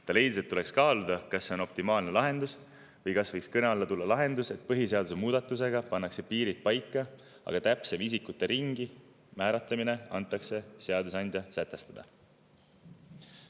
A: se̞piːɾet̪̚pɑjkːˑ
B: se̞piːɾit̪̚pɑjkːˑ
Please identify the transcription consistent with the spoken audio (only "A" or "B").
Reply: B